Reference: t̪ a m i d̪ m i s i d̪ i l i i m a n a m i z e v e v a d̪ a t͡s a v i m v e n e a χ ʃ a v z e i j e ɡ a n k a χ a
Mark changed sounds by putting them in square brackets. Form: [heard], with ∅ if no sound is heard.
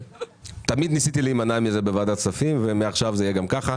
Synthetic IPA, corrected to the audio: t̪ a m i d̪ [n] i s i [t̪] i l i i m a n a m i z e [b] e v a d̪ a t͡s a [f] i m v e [m] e a χ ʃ a v z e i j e ɡ a [m] k a χ a